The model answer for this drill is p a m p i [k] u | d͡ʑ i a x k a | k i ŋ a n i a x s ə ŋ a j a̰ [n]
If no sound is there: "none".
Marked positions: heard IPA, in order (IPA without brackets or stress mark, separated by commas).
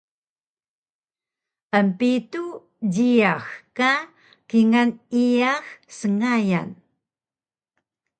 t, n